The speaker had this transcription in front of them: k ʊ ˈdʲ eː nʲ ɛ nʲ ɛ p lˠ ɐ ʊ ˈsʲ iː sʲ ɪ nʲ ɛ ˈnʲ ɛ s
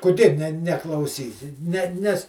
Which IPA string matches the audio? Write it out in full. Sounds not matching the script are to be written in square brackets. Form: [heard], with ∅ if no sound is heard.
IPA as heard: k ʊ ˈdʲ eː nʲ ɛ nʲ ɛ [k] lˠ ɐ ʊ ˈsʲ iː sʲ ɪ nʲ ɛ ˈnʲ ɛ s